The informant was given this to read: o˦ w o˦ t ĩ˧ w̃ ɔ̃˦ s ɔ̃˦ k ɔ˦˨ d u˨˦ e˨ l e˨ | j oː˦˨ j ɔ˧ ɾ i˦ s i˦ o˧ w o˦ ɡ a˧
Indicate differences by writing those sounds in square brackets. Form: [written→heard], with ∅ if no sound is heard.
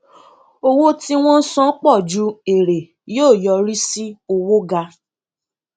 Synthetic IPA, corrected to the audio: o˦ w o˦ t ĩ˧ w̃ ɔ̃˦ s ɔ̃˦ [k→k͡p] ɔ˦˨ [d→d͡ʒ] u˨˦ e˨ [l→ɾ] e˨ | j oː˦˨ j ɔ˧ ɾ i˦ s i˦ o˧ w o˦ ɡ a˧